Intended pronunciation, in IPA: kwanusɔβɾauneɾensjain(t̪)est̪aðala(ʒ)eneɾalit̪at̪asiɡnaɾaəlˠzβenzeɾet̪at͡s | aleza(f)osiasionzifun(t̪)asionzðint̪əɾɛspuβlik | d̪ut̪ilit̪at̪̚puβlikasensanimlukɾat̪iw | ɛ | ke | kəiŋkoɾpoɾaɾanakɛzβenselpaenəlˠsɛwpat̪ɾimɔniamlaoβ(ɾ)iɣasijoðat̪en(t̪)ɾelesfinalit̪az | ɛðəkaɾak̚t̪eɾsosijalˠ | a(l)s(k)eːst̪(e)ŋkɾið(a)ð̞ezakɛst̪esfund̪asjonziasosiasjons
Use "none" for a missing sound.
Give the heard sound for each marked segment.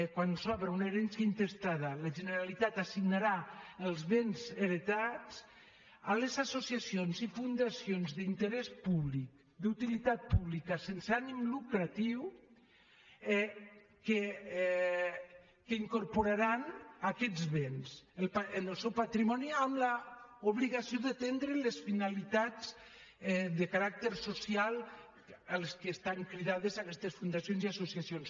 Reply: t̪, ʒ, s, d̪, l, d̪, l, k, a, a

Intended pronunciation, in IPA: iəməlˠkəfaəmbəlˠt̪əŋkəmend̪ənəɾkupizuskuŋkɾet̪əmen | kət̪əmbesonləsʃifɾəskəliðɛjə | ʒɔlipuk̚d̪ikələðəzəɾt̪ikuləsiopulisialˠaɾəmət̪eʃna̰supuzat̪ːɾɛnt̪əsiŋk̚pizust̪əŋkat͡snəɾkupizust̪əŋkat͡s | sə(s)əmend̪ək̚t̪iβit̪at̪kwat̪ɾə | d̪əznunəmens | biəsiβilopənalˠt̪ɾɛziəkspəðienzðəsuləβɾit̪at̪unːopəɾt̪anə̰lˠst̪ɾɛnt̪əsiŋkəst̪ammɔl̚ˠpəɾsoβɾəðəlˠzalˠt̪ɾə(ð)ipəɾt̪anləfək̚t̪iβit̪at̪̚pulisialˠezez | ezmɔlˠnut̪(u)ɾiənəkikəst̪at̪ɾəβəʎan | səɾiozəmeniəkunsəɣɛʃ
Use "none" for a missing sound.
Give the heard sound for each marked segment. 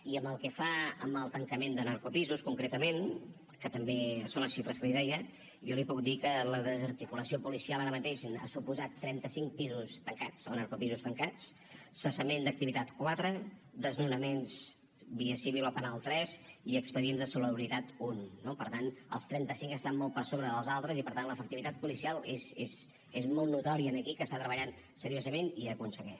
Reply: s, z, ɔ

